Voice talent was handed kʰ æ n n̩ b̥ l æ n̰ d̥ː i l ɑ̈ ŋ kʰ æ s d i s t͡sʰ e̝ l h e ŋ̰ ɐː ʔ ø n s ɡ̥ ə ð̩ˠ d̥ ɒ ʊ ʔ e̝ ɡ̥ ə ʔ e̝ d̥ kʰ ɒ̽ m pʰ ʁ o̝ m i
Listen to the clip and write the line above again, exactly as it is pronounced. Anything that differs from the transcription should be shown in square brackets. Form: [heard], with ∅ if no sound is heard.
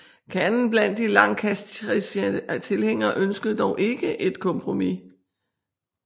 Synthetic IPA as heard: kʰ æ n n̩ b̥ l æ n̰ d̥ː i l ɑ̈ ŋ kʰ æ s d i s t͡sʰ e̝ l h e ŋ̰ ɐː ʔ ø n s ɡ̥ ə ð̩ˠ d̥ ɒ ʊ ʔ e̝ ɡ̥ ə ʔ e̝ d̥ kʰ ɒ̽ m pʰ ʁ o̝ m i

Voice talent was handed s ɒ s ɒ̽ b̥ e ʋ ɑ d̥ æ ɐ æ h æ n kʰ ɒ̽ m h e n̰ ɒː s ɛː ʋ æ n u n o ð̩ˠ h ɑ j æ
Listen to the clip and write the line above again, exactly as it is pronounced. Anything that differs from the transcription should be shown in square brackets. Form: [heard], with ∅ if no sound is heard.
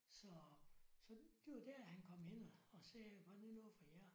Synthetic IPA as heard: s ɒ s ɒ̽ [d̥] e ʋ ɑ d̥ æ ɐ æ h æ n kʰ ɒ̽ m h e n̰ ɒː s ɛː ʋ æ n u n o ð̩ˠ [f] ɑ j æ

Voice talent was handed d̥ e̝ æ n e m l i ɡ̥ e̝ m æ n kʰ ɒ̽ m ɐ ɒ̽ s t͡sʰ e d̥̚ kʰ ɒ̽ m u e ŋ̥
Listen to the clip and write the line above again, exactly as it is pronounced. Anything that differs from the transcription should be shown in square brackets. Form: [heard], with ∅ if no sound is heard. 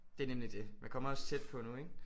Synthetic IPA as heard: d̥ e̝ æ n e m l i [d̥] e̝ m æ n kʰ ɒ̽ m ɐ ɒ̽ s t͡sʰ e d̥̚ [pʰ] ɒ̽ [n] u e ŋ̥

